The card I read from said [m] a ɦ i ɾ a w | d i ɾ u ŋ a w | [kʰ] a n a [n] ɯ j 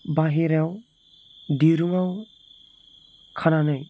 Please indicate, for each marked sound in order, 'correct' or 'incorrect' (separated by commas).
incorrect, correct, correct